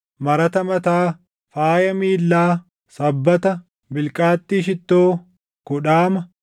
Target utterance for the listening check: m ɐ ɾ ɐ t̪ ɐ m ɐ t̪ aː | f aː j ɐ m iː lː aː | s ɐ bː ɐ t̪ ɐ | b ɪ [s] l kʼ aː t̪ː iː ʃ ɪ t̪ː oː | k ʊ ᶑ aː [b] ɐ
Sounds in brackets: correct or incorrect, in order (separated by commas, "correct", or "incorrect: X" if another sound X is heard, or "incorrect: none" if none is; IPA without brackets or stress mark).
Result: incorrect: none, incorrect: m